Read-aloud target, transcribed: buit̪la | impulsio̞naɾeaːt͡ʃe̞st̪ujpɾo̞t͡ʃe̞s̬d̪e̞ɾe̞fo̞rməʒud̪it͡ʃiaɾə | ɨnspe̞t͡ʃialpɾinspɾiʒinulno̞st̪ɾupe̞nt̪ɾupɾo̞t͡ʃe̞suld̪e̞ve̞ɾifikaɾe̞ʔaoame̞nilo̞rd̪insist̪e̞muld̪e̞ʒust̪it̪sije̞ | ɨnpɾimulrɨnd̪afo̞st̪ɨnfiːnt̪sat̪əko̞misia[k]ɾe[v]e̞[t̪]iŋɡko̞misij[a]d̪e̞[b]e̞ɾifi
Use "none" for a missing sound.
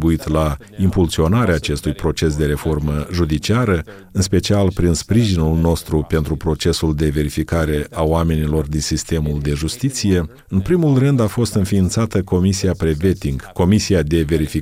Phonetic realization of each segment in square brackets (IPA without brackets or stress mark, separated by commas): p, v, t̪, a, v